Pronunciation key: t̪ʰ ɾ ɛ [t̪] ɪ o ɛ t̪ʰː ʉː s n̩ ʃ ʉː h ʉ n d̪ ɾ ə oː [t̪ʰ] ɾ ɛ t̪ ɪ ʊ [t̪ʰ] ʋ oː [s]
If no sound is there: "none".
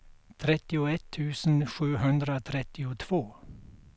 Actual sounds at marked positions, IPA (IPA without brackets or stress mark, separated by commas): t̪, t̪ʰ, t̪ʰ, none